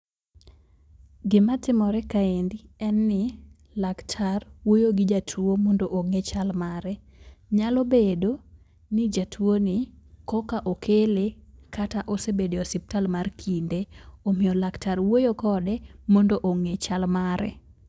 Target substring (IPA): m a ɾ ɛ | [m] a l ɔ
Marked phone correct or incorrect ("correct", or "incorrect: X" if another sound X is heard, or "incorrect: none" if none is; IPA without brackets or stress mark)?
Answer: incorrect: ɲ